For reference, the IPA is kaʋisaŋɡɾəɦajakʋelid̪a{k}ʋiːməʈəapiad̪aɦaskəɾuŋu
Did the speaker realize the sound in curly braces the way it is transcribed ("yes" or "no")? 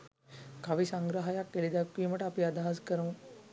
yes